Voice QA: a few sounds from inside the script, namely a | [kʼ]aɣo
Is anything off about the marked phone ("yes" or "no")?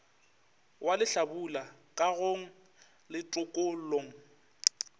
no